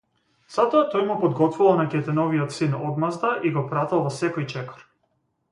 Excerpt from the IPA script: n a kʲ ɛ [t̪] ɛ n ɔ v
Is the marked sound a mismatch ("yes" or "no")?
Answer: no